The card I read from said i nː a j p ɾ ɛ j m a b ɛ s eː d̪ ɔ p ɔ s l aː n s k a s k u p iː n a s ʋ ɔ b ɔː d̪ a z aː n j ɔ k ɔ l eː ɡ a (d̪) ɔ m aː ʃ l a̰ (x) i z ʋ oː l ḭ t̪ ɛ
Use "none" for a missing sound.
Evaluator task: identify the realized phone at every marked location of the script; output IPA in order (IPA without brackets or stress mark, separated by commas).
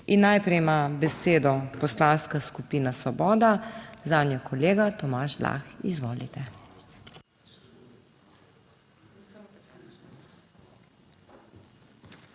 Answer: t̪, x